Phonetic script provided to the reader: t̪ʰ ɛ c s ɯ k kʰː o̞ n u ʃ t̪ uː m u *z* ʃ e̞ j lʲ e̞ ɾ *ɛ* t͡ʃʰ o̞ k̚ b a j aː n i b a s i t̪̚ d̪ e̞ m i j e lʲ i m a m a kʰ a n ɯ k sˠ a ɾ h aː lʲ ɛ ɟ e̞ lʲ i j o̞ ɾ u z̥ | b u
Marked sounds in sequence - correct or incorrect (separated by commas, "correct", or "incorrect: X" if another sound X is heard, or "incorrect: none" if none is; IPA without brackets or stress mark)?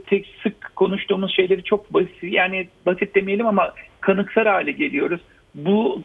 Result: correct, incorrect: i